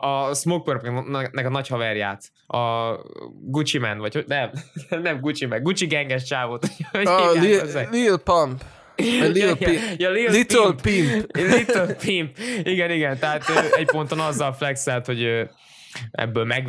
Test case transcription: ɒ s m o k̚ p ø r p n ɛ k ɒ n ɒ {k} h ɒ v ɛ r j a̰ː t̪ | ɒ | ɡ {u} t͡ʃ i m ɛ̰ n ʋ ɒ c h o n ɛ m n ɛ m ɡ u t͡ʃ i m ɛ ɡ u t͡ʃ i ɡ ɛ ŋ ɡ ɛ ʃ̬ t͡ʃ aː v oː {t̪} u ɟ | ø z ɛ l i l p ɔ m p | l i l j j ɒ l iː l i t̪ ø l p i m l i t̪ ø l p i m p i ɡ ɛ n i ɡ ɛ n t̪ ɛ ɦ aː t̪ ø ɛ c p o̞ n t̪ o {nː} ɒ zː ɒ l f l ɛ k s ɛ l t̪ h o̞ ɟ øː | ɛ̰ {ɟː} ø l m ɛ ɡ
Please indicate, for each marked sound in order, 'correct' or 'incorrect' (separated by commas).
incorrect, correct, correct, incorrect, incorrect